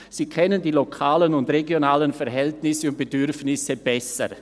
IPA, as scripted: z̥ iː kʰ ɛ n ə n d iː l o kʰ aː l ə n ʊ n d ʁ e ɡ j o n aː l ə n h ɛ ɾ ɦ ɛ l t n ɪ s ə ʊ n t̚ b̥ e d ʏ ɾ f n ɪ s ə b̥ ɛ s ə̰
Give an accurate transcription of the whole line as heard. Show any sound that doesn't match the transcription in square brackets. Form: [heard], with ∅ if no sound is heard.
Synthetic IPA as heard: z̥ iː kʰ ɛ n ə n d iː l o kʰ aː l ə n ʊ n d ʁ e ɡ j o n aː l ə n [f] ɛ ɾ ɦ ɛ l t n ɪ s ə ʊ n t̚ b̥ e d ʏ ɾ f n ɪ s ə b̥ ɛ s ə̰